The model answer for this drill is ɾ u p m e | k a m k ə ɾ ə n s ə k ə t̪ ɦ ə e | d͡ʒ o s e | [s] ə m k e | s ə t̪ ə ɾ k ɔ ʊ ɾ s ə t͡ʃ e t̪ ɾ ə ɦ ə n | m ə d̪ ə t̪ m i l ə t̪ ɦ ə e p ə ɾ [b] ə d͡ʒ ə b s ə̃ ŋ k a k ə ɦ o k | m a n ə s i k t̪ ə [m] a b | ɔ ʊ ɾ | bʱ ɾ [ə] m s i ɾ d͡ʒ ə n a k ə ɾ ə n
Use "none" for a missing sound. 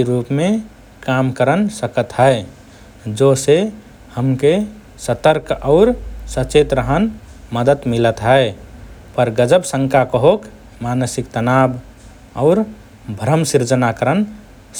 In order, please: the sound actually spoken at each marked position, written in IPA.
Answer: h, ɡ, n, ə

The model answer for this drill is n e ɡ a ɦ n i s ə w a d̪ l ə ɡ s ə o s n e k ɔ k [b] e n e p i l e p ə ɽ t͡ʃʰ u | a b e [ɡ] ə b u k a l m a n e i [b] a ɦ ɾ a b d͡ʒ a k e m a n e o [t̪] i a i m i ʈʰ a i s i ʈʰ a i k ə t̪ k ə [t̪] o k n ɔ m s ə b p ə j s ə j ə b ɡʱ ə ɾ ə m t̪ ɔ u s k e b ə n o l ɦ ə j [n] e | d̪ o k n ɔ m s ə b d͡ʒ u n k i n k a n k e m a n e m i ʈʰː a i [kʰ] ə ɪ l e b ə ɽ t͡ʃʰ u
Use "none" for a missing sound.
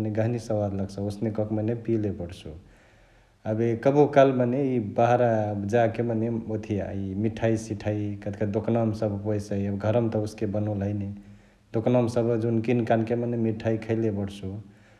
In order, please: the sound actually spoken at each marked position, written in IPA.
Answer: m, k, b, t̪ʰ, d̪, n, kʰ

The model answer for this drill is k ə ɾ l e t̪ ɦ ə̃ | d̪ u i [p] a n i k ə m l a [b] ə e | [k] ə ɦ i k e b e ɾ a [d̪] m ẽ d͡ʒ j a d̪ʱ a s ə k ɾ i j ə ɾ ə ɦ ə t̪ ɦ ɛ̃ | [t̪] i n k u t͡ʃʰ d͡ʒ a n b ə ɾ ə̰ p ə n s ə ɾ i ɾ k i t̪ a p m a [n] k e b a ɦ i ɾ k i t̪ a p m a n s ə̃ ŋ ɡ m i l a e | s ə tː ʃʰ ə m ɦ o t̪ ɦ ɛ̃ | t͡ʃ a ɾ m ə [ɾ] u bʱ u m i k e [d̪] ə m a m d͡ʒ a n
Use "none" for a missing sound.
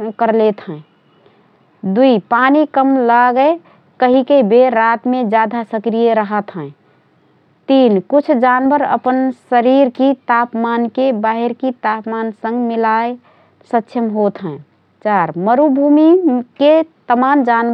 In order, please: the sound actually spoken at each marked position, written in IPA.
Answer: p, ɡ, k, t̪, t̪, n, ɾ, t̪

